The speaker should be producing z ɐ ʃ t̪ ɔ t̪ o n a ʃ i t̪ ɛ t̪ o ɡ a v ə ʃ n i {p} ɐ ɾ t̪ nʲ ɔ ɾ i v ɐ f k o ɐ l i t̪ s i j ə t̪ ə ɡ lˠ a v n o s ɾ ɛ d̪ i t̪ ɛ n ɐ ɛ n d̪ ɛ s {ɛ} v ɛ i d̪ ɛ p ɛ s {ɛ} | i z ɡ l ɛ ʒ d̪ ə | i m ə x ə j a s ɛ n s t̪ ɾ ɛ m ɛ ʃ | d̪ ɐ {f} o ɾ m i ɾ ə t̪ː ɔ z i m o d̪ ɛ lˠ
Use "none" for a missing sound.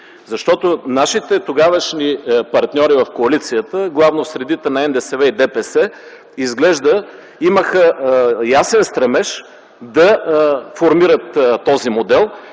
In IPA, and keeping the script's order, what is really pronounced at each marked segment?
p, ɛ, ɛ, f

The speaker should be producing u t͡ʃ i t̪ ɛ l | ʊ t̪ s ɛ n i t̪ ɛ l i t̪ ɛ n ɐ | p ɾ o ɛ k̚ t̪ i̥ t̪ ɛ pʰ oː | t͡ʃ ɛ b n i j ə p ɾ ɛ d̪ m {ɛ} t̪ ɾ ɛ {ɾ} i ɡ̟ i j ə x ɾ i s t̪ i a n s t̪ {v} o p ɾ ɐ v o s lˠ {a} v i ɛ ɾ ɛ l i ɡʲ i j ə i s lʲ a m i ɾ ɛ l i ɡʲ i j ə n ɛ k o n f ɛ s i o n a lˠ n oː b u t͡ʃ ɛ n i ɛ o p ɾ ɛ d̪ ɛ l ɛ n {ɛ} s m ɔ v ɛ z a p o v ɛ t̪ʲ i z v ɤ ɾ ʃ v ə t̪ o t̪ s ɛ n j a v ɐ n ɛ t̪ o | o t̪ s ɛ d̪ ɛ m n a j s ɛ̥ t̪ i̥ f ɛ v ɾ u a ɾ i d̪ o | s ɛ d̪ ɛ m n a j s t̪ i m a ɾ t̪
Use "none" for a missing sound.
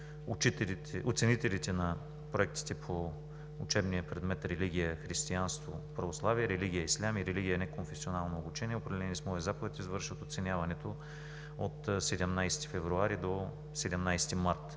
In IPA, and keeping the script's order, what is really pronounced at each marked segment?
ɛ, l, v, a, i

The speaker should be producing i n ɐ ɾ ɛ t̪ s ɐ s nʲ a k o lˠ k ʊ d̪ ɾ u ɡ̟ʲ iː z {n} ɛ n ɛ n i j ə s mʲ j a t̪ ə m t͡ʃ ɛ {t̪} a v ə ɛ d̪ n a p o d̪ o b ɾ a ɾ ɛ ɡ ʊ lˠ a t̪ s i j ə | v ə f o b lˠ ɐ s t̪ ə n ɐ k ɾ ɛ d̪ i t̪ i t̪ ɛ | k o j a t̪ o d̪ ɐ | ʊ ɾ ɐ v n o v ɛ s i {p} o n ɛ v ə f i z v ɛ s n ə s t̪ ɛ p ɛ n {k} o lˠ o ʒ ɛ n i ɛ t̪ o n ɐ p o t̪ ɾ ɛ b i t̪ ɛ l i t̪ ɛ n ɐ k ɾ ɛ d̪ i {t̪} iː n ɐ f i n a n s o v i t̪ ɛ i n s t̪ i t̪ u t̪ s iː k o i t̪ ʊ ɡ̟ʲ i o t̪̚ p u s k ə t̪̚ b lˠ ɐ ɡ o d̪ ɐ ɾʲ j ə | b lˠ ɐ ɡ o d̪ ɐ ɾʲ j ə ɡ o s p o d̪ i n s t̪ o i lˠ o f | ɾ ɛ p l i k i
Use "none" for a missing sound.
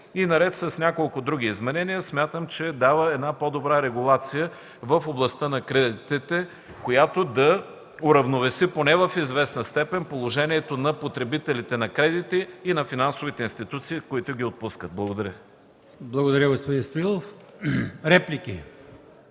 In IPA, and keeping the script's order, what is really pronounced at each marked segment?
m, d̪, p, p, t̪

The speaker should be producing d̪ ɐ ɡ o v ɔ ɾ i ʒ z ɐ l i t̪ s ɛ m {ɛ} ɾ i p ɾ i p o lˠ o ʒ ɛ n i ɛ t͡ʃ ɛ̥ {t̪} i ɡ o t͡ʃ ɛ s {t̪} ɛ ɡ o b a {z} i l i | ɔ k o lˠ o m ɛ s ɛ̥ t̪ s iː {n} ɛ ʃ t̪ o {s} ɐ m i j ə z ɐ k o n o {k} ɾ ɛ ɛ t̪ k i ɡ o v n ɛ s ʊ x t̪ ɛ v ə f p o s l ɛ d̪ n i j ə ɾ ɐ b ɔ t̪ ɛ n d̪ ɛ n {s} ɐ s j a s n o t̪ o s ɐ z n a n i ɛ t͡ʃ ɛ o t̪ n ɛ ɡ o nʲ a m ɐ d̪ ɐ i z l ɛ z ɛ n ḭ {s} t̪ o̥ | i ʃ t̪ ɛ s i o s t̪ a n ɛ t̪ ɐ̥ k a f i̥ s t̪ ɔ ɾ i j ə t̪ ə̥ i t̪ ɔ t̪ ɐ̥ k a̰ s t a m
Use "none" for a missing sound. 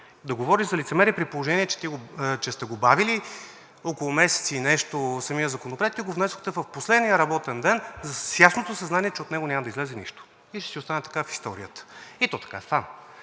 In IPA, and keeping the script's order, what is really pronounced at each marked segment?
ɛ, t̪, t̪, v, n, s, p, z, ʃ

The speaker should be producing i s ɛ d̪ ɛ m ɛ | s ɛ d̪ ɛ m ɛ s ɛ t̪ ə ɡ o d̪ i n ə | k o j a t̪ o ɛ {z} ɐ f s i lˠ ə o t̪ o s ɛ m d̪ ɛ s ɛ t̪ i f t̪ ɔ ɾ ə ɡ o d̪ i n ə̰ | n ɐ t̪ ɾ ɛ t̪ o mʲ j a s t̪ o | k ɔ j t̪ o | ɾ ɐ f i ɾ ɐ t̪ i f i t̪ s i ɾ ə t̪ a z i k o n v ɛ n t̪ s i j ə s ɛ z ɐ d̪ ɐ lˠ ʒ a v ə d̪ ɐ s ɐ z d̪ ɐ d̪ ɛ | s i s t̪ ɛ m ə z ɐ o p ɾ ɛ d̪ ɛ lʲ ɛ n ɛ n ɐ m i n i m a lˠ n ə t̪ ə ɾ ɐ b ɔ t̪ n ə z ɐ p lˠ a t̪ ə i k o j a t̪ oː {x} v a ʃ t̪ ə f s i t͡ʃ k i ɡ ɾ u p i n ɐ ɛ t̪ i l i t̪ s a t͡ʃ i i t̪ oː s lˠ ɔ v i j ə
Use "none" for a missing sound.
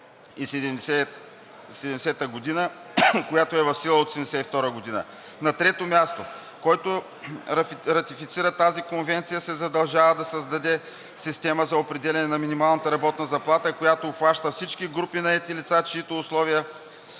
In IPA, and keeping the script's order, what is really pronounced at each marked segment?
v, x

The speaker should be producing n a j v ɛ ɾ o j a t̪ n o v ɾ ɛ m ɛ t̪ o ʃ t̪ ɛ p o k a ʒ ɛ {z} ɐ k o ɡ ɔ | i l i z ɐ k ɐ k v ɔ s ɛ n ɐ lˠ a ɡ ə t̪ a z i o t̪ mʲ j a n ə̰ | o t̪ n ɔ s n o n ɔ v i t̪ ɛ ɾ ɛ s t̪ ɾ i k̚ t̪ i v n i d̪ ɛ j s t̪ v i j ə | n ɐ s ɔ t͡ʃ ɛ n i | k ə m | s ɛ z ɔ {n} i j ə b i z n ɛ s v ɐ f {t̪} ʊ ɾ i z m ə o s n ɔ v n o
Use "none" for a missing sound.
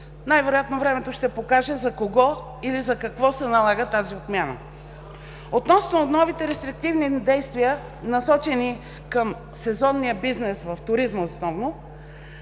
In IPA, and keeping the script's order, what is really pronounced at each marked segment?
z, nː, t̪

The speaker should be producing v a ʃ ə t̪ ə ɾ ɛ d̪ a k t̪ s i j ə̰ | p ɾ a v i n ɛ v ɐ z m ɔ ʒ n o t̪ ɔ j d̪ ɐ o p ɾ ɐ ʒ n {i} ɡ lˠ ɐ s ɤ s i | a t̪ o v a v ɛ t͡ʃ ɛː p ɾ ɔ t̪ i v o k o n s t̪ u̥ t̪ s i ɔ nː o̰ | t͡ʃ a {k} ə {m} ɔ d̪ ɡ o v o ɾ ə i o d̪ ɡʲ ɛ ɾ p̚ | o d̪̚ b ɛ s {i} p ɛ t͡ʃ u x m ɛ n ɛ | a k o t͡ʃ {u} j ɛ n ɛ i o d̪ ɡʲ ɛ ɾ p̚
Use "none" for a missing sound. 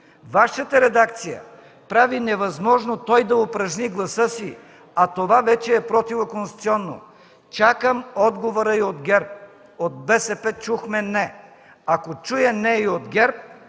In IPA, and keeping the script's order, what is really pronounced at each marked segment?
i, k, m, ɛ, u

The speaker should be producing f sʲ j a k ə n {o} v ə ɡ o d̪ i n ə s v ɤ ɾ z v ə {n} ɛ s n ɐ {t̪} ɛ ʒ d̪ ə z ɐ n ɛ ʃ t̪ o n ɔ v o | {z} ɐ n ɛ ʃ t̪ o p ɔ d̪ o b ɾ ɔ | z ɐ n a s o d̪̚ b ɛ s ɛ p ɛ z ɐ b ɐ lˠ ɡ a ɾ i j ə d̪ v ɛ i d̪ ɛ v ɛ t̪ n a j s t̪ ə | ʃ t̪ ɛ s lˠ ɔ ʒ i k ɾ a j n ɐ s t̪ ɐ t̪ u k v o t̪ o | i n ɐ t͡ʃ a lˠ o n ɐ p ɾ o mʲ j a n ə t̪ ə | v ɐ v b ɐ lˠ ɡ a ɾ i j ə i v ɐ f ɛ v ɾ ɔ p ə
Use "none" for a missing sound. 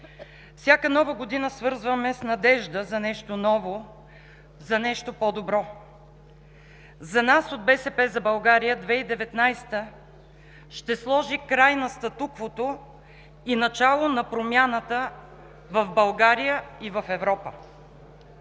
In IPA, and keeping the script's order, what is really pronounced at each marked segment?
ɔ, m, d̪, z

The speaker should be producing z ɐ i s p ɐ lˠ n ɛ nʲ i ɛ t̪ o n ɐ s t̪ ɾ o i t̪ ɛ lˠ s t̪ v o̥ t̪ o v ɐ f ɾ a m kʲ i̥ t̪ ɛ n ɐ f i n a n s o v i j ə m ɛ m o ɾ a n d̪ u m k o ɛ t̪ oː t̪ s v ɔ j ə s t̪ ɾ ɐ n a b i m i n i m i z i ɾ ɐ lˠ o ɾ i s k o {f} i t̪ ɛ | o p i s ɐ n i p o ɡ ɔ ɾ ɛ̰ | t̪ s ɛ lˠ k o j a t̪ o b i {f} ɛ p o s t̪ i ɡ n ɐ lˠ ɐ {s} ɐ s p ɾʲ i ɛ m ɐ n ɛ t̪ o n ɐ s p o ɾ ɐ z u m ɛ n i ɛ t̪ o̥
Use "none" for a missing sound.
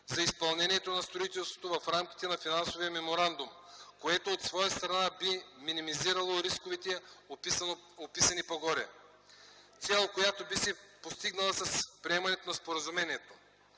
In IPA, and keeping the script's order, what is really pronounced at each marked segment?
v, s, s

